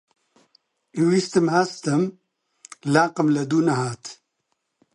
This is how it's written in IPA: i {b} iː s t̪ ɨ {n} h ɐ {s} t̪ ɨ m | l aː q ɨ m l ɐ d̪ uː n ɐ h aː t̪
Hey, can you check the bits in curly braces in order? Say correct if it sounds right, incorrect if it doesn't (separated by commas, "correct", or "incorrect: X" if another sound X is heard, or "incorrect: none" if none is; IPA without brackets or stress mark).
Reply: incorrect: w, incorrect: m, correct